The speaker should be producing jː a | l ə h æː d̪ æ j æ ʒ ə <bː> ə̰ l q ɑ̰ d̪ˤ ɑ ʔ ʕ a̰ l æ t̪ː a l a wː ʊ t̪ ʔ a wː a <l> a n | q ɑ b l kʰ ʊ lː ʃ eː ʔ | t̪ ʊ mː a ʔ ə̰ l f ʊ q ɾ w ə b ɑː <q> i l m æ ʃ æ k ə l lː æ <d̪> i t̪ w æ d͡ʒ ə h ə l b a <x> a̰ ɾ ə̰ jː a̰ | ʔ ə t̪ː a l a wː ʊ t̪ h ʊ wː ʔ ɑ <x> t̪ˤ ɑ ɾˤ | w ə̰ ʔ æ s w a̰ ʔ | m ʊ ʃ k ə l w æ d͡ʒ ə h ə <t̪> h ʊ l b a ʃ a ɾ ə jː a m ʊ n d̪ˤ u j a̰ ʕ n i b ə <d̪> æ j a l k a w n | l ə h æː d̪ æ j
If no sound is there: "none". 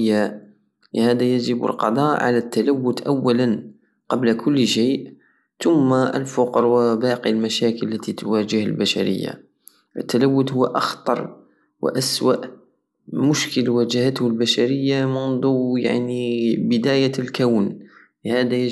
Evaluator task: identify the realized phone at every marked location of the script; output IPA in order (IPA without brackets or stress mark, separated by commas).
b, l, q, t̪, ʃ, x, t̪, d̪